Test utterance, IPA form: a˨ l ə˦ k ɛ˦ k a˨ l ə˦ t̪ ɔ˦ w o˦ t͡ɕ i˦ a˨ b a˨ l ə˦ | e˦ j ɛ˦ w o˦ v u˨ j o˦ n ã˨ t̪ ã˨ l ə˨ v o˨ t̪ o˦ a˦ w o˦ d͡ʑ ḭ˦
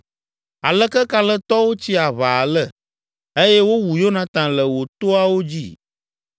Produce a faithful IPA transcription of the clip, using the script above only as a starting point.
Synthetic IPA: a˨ l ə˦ k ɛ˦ k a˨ l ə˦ t̪ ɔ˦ w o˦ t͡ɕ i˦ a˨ β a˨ l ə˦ | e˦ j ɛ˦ w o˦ w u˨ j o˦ n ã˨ t̪ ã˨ l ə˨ w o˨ t̪ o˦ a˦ w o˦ d͡ʑ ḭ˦

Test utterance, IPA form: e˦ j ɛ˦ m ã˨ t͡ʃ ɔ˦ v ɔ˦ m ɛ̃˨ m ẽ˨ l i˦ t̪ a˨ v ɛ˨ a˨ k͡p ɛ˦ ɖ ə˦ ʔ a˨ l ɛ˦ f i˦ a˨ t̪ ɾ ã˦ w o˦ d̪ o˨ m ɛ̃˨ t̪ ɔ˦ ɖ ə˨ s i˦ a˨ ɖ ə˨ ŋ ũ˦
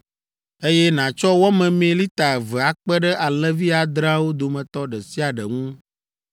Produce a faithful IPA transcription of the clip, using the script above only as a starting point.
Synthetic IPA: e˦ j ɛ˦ n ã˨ t͡ʃ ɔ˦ w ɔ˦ m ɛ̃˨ m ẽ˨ l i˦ t̪ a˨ v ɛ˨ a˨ k͡p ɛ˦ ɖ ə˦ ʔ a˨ l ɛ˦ v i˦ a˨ d̪ ɾ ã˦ w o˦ d̪ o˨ m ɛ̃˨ t̪ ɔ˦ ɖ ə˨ s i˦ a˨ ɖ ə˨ ŋ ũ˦

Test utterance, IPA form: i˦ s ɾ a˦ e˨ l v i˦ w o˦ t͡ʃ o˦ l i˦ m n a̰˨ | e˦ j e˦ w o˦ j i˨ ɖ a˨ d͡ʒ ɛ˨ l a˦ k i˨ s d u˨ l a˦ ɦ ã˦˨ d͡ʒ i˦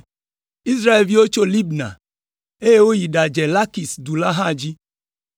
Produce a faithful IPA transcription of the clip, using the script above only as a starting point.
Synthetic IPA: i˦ s ɾ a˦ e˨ l v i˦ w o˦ t͡ʃ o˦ l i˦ b n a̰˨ | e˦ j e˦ w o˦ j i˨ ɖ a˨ d͡ʒ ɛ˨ l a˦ k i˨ s d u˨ l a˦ ɦ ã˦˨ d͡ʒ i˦

